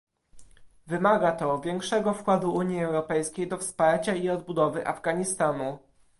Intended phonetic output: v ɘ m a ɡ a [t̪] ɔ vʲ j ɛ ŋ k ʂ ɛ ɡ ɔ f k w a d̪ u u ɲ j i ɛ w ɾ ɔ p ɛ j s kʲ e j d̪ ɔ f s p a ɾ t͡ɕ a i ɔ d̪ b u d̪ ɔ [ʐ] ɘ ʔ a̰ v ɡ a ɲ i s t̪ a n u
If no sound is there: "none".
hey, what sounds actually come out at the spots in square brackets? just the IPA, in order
t̪, v

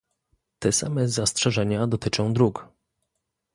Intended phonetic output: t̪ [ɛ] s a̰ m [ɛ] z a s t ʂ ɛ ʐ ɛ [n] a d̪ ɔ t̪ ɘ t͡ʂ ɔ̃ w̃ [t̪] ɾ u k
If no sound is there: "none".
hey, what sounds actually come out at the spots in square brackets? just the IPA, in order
ɛ, ɛ, ɲ, d̪

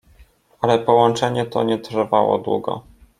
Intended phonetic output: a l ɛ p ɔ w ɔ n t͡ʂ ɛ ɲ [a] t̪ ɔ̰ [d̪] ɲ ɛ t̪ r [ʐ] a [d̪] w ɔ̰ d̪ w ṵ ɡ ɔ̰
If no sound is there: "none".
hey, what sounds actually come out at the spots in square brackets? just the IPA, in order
ɛ, none, v, none

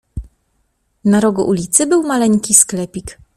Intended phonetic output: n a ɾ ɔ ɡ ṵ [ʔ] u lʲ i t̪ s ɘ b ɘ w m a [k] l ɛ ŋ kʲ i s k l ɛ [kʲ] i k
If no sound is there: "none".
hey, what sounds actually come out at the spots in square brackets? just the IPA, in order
ʔ, none, pʲ

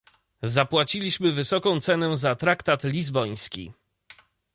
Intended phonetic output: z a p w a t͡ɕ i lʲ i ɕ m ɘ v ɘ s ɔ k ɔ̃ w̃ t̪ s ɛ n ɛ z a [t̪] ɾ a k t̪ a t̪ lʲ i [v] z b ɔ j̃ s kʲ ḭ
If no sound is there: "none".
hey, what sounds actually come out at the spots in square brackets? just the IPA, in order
t̪, none

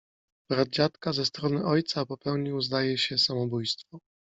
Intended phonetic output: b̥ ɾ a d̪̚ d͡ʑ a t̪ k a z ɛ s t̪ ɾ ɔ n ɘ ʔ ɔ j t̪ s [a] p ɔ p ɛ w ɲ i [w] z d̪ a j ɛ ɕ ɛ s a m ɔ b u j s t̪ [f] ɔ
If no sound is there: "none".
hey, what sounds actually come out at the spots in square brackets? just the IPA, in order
a, w, f

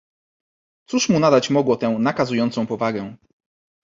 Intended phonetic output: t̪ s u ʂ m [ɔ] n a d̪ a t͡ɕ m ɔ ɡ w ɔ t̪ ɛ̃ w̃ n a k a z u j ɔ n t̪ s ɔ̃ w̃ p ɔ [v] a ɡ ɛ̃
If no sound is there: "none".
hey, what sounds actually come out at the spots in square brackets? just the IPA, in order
u, v

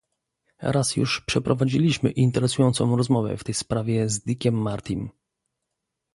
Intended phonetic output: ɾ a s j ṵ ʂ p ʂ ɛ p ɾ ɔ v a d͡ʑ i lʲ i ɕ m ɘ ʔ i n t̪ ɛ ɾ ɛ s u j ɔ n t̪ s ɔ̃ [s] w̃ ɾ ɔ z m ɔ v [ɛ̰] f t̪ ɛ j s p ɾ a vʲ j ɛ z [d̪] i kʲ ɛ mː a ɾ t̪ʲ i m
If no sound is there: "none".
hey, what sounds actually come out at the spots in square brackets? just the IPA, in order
none, ɛ̰, d̪

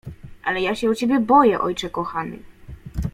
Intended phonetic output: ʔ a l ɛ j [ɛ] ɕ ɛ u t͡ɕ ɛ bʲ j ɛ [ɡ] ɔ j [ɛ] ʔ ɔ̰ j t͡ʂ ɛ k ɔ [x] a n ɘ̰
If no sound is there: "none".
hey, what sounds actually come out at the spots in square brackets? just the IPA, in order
a, b, ɛ, x

